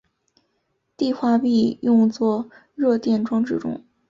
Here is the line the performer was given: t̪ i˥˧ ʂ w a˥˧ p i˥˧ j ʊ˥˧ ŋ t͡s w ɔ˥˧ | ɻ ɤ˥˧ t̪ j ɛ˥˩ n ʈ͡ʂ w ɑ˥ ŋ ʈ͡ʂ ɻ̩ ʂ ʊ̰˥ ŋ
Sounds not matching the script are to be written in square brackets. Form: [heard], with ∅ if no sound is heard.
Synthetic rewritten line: t̪ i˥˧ [x] w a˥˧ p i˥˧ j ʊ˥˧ ŋ t͡s w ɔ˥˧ | ɻ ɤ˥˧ t̪ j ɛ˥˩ n ʈ͡ʂ w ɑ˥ ŋ ʈ͡ʂ ɻ̩ [ʈ͡ʂ] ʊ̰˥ ŋ